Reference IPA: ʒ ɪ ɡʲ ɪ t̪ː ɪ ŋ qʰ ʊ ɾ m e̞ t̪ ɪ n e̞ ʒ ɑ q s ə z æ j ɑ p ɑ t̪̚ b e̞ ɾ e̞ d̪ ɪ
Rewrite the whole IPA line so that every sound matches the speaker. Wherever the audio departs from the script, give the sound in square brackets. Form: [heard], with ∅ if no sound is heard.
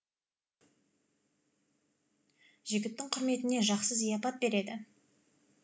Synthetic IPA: ʒ ɪ ɡʲ ɪ t̪ː ɪ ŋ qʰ ʊ ɾ m e̞ t̪ ɪ n e̞ ʒ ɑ q s ə z [i] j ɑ p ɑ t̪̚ b e̞ ɾ e̞ d̪ ɪ